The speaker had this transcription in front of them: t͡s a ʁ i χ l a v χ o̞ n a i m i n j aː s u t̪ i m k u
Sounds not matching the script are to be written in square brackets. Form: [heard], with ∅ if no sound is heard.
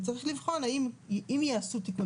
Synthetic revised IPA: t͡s a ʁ i χ l [i] v χ o̞ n a i m i [m] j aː s u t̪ i [∅] k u